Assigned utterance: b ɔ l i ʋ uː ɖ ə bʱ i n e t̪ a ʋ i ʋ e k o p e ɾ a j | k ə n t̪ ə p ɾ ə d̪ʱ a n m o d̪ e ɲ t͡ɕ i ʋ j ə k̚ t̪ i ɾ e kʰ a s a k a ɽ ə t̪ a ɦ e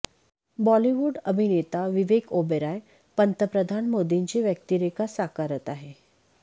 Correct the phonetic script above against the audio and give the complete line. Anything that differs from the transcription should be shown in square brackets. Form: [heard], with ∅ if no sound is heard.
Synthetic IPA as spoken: b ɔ l i ʋ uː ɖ ə bʱ i n e t̪ a ʋ i ʋ e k o [b] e ɾ a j | [p] ə n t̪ ə p ɾ ə d̪ʱ a n m o d̪ [i] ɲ t͡ɕ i ʋ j ə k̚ t̪ i ɾ e [k] a s a k a [ɾ] ə t̪ a ɦ e

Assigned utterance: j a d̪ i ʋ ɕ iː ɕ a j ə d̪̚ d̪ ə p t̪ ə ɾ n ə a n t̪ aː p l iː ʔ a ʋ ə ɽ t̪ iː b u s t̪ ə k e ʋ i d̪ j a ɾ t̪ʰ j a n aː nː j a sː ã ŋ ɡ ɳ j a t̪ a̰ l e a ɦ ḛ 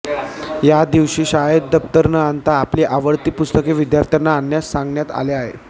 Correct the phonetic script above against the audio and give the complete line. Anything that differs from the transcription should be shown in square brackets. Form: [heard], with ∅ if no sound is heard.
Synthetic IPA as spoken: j a d̪ i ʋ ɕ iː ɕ a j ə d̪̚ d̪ ə p t̪ ə ɾ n ə a n t̪ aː p l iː ʔ a ʋ ə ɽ t̪ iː [p] u s t̪ ə k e ʋ i d̪ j a ɾ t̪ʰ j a n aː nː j a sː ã ŋ ɡ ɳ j a t̪ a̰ l e a ɦ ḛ

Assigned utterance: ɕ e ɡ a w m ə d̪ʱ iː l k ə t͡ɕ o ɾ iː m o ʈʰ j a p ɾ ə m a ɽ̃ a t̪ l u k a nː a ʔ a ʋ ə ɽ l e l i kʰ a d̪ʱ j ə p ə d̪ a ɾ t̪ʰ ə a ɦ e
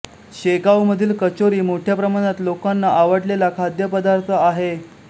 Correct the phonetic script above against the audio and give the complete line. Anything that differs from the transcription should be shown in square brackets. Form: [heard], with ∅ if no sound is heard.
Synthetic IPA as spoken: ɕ e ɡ a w m ə d̪ʱ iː l k ə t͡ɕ o ɾ iː m o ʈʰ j a p ɾ ə m a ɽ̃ a t̪ l [o] k a nː a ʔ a ʋ ə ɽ l e l [a] kʰ a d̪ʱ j ə p ə d̪ a ɾ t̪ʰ ə a ɦ e

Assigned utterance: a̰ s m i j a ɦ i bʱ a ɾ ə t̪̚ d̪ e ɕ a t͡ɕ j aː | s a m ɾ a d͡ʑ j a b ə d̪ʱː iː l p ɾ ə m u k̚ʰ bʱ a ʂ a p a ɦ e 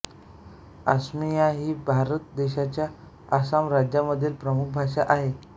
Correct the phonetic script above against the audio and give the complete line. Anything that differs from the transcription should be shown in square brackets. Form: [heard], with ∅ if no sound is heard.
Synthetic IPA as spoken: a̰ s m i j a ɦ [iː] bʱ a ɾ ə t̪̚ d̪ e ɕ a t͡ɕ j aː | s a m ɾ a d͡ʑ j a [m] ə d̪ʱː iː l p ɾ ə m u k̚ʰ bʱ a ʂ a [ʔ] a ɦ e

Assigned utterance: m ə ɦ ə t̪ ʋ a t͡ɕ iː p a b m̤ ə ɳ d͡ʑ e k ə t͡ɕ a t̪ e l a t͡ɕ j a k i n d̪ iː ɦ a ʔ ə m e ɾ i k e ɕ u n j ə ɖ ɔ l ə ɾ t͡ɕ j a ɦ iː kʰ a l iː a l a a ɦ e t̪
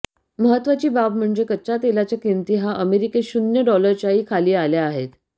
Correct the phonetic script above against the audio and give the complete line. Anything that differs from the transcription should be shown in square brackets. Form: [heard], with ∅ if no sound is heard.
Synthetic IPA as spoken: m ə ɦ ə t̪ ʋ a t͡ɕ iː [b] a b m̤ ə ɳ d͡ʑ e k ə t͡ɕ a t̪ e l a t͡ɕ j a k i n [t̪] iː ɦ a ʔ ə m e ɾ i k e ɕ u n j ə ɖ ɔ l ə ɾ t͡ɕ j a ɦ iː kʰ a l iː a l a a ɦ e t̪

